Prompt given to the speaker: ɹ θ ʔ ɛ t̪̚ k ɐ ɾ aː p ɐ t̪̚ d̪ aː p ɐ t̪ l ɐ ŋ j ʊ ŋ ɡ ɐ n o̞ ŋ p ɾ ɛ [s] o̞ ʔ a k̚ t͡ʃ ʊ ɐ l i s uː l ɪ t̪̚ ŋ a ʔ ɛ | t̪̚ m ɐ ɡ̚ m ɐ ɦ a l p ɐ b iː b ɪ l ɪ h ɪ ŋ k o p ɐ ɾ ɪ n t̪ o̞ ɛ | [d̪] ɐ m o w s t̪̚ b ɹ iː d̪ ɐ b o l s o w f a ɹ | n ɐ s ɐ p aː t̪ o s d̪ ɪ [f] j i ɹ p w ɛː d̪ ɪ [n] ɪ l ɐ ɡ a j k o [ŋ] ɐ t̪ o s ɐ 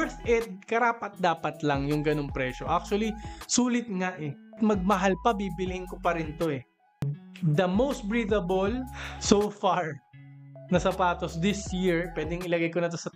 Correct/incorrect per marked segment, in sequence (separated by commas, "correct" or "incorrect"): incorrect, correct, incorrect, incorrect, incorrect